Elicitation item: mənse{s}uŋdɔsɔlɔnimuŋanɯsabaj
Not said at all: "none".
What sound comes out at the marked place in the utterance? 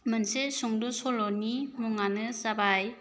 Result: s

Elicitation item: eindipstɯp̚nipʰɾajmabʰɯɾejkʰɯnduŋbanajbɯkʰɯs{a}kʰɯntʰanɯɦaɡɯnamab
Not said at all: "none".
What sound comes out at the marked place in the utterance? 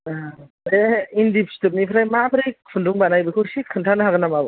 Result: i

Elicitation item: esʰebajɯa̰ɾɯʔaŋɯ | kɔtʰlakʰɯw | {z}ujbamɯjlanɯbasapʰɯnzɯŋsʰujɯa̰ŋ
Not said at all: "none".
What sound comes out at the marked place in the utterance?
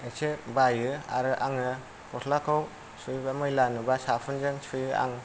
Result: s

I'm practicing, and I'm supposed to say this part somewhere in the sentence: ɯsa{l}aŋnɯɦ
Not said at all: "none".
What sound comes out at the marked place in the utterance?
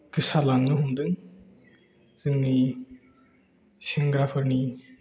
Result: l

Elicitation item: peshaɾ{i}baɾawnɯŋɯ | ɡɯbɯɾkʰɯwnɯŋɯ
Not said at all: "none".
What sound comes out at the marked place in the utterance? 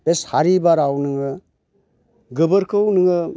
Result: i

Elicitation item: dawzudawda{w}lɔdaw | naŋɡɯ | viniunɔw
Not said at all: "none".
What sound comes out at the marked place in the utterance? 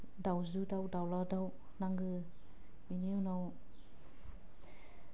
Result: w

